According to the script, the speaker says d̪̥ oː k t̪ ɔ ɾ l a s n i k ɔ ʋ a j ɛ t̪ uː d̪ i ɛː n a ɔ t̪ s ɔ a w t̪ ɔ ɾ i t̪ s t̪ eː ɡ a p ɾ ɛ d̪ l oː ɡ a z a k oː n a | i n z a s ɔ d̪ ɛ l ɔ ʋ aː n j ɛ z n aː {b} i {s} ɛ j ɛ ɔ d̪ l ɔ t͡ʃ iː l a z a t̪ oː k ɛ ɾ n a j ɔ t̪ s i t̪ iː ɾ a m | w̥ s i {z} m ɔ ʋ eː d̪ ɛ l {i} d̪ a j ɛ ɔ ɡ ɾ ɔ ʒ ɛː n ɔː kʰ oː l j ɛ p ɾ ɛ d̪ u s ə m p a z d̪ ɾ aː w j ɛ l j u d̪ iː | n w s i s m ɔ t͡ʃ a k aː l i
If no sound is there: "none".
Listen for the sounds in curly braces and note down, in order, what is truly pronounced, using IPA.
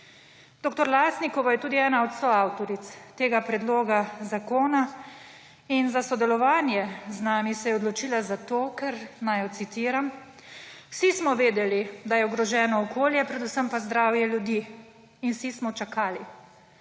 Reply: m, s, s, i

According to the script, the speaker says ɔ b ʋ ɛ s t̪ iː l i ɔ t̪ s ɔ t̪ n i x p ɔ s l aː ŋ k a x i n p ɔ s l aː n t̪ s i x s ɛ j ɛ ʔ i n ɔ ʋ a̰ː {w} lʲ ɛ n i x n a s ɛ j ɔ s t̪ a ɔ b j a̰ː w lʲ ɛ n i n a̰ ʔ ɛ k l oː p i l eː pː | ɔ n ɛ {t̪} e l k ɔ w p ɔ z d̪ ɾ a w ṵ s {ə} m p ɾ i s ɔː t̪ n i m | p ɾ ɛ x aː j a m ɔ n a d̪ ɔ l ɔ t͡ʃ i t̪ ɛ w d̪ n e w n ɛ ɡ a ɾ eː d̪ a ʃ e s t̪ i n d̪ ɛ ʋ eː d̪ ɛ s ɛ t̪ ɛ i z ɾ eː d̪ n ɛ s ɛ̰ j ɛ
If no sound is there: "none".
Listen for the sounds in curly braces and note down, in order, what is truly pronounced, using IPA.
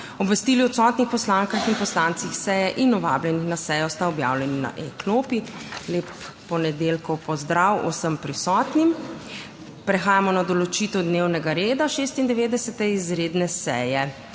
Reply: b, d̪, ə

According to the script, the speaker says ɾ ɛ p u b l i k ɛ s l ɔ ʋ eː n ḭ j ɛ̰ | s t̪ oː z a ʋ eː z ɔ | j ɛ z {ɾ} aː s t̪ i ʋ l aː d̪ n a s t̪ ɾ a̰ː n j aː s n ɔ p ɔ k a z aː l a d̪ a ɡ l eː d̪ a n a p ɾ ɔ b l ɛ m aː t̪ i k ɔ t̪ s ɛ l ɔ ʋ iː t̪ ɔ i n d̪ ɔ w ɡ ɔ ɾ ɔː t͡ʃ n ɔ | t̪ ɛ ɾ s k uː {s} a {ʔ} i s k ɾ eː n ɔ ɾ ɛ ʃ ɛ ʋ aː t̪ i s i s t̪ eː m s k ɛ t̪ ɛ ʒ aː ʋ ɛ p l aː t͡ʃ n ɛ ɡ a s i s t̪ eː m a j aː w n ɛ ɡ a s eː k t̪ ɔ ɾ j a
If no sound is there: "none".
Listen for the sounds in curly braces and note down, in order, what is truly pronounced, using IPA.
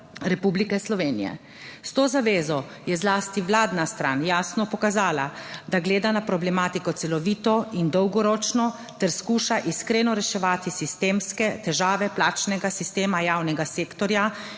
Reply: l, ʃ, ʔ

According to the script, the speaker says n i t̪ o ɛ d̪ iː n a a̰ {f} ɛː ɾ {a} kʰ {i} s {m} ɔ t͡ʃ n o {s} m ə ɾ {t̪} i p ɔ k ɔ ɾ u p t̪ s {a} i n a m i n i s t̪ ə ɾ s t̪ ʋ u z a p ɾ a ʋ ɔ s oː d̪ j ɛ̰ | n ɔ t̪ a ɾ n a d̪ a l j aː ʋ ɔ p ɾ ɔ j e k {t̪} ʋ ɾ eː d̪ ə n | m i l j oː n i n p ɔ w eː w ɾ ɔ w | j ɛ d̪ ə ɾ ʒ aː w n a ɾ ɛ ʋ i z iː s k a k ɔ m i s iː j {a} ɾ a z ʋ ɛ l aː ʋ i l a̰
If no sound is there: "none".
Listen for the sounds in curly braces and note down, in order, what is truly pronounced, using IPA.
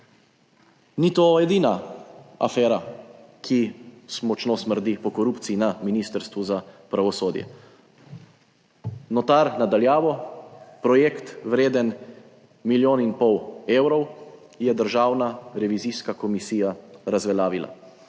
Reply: f, a, i, m, s, d̪, i, t̪, a

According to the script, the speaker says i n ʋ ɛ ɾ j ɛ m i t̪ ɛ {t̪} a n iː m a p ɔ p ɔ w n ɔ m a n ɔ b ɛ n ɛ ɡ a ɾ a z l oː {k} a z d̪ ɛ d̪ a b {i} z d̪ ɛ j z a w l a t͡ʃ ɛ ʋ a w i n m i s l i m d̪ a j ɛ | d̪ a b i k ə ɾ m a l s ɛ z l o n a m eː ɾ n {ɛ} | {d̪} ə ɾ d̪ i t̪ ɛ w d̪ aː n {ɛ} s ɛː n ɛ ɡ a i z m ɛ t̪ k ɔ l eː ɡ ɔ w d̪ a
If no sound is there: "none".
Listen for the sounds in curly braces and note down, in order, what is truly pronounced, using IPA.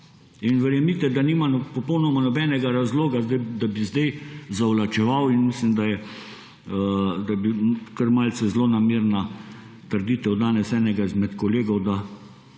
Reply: d̪, ɡ, i, a, t̪, ɛ

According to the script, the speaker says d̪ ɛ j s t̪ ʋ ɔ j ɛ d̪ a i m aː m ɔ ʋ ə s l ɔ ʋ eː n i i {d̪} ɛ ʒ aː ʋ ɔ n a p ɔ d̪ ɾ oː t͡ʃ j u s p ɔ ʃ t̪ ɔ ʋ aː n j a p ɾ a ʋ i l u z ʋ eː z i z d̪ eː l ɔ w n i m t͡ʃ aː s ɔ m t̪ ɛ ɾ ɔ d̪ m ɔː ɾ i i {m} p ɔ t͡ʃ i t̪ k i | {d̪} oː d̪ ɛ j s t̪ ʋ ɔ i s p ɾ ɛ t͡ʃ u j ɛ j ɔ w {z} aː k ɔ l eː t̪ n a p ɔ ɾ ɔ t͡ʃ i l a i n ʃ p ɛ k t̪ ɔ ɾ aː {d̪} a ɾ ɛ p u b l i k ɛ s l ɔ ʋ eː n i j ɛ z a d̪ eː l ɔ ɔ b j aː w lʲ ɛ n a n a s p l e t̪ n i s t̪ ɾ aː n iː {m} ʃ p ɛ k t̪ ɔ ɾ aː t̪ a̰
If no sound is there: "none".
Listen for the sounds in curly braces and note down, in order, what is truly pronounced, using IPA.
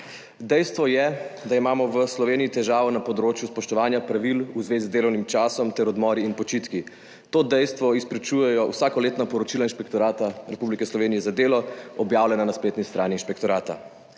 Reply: t̪, n, t̪, s, t̪, n

